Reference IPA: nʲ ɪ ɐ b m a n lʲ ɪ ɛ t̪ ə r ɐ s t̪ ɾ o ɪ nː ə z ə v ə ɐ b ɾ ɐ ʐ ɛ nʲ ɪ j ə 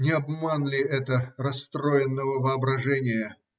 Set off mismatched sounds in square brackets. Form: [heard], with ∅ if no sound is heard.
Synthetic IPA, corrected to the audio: nʲ ɪ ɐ b m a n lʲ ɪ ɛ t̪ ə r ɐ s t̪ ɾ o ɪ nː ə [v] ə v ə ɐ b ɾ ɐ ʐ ɛ nʲ ɪ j ə